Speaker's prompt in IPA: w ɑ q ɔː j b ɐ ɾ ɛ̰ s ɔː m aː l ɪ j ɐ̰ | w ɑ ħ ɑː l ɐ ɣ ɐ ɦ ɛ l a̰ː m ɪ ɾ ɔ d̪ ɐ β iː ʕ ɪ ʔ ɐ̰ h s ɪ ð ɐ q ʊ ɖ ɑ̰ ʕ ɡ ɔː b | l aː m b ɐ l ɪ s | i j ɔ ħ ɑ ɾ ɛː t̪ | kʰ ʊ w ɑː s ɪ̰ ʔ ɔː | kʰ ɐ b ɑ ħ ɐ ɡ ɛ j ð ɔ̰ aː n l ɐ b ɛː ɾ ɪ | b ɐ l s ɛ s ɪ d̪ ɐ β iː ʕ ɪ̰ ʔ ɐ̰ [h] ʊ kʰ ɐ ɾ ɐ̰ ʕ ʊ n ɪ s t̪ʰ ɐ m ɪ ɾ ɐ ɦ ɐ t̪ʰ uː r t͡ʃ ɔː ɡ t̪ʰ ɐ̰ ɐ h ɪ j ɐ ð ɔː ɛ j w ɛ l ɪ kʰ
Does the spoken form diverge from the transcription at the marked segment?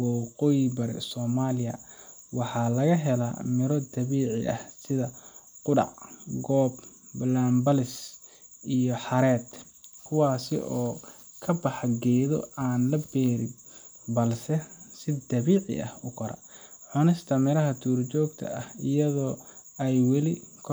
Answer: no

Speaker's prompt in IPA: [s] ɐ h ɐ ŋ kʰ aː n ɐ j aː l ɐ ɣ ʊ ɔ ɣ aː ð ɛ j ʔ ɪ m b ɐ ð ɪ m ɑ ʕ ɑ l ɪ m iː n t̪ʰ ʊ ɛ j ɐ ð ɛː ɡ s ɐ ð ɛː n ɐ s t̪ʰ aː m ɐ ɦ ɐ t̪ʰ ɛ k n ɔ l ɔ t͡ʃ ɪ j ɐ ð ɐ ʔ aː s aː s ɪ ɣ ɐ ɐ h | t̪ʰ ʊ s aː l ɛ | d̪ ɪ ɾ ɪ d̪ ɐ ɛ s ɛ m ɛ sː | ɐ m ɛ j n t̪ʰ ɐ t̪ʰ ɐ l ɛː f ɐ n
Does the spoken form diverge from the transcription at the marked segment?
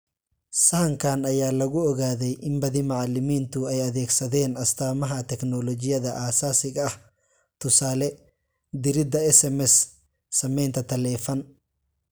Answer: no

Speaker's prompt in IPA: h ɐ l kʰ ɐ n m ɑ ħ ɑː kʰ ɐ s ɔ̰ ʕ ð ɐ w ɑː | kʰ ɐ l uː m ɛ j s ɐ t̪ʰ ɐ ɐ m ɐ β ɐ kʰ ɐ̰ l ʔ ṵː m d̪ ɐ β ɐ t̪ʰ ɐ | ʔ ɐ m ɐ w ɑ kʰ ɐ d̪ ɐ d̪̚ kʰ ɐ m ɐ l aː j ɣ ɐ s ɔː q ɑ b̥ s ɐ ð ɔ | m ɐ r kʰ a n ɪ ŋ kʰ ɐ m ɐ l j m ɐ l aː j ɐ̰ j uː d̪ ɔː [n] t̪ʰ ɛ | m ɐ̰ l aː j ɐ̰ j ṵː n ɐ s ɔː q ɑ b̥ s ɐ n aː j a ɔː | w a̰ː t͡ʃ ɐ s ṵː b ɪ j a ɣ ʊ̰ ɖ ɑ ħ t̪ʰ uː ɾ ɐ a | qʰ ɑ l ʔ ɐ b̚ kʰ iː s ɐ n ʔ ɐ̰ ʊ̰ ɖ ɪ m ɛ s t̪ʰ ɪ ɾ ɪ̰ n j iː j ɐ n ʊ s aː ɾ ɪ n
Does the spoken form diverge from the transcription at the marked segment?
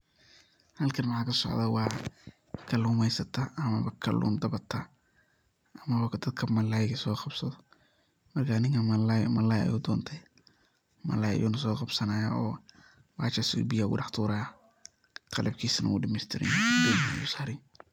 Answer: no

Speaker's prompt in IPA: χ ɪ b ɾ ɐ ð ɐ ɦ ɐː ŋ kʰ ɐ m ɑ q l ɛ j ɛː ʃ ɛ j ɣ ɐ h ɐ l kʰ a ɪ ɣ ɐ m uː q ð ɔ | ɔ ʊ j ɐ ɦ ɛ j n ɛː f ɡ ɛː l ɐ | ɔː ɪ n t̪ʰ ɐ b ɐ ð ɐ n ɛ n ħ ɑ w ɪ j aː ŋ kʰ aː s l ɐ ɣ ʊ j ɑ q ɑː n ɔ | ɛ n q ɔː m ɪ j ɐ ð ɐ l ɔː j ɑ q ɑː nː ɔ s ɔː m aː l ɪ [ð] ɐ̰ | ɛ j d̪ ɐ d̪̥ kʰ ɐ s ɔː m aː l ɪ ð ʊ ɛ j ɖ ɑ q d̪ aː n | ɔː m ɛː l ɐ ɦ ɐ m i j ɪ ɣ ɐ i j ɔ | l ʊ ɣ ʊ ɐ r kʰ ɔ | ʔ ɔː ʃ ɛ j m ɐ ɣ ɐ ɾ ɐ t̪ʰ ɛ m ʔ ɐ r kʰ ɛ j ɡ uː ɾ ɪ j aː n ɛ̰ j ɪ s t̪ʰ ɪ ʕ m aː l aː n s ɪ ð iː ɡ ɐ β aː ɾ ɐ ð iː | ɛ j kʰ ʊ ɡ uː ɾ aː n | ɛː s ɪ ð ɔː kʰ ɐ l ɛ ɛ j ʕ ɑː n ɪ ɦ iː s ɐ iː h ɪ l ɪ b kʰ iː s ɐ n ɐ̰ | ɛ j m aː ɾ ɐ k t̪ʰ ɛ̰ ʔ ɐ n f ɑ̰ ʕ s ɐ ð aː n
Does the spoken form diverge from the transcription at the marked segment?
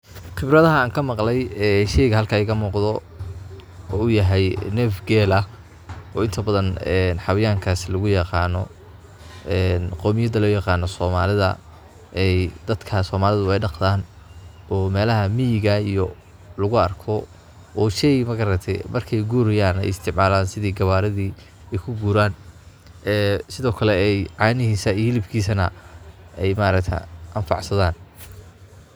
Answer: no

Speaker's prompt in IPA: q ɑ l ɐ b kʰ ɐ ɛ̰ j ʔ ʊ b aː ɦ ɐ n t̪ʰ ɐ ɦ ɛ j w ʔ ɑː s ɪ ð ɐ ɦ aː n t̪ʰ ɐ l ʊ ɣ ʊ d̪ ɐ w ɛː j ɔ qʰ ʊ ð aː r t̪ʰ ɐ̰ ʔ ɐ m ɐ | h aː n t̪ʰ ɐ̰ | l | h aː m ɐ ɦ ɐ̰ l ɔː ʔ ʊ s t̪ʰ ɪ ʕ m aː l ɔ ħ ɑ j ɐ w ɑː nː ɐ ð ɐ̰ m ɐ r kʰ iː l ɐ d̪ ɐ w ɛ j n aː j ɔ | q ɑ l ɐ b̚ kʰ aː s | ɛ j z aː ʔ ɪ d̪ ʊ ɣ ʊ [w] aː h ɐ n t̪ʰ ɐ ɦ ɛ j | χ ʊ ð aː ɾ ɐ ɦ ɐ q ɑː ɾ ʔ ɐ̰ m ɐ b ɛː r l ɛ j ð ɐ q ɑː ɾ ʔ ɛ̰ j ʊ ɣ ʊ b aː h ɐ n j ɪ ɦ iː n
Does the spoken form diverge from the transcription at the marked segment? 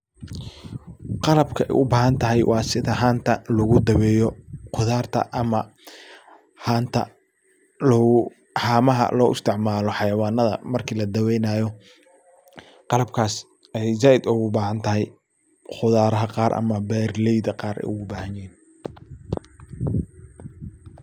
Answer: yes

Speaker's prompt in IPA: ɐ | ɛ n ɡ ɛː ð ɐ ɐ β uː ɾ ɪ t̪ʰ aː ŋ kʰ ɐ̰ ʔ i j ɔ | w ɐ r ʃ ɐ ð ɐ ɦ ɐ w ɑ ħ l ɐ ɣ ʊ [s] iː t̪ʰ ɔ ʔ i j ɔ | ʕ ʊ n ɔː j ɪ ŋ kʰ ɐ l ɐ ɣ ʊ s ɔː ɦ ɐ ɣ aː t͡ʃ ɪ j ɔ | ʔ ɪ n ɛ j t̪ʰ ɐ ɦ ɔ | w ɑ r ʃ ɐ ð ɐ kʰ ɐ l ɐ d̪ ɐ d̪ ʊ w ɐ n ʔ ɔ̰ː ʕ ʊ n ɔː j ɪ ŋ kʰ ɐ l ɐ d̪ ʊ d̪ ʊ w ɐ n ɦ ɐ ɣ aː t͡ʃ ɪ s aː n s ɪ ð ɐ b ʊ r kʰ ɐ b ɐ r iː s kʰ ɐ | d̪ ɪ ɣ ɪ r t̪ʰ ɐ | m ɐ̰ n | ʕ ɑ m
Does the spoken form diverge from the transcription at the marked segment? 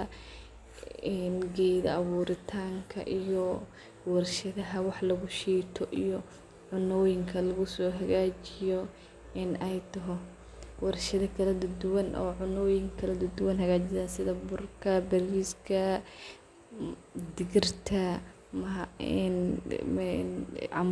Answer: yes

